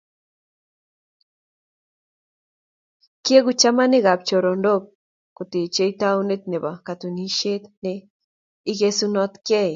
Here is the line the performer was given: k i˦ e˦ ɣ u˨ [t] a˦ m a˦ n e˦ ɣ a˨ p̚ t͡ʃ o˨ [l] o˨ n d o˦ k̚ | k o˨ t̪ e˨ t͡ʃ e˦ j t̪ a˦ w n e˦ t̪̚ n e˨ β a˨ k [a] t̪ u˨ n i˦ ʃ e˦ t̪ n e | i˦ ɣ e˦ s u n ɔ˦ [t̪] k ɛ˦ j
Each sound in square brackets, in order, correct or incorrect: incorrect: t͡ʃ, incorrect: ɾ, correct, correct

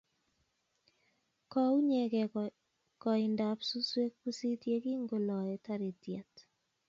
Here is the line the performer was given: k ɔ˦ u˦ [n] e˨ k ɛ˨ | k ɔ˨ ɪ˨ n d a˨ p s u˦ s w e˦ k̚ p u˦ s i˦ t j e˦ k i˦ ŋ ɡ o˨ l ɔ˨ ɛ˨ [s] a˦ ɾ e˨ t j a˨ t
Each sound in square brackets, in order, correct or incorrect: incorrect: ɲ, incorrect: t

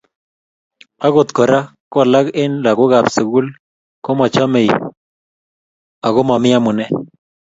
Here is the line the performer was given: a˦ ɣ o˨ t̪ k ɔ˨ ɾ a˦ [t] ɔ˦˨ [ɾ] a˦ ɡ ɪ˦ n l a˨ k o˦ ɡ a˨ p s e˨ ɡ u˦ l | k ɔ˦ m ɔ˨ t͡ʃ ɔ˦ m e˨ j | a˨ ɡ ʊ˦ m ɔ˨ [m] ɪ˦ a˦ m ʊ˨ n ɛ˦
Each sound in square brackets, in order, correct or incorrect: incorrect: k, incorrect: l, correct

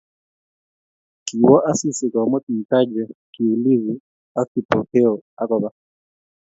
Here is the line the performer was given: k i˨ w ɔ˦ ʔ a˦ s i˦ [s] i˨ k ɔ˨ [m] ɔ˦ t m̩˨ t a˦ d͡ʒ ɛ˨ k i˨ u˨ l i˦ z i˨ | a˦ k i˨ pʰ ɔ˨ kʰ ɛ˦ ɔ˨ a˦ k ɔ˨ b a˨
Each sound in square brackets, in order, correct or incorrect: correct, correct

